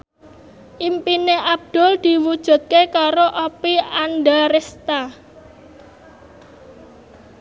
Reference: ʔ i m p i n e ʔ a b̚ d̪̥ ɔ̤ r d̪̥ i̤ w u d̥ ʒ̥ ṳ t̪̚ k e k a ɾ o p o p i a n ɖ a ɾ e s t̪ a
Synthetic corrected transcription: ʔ i m p i n e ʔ a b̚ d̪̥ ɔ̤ l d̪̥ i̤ w u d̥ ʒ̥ ṳ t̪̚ k e k a ɾ o ʔ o p i a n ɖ a ɾ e s t̪ a